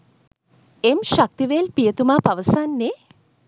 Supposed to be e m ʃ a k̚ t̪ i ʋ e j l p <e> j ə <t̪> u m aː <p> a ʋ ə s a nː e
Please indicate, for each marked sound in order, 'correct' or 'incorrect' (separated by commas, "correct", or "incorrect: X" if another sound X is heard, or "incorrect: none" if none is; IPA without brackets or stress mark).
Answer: incorrect: i, correct, correct